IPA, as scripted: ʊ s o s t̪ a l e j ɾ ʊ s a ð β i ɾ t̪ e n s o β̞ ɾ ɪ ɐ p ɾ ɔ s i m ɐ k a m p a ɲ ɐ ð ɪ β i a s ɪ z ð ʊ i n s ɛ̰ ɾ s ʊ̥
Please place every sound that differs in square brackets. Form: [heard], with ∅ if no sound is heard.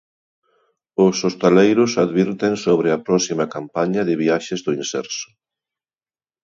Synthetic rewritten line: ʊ s o s t̪ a l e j ɾ ʊ s a ð β i ɾ t̪ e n s o β̞ ɾ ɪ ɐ p ɾ ɔ s i m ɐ k a m p a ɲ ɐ ð ɪ β i a [ʃ] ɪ z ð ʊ i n s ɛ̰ ɾ s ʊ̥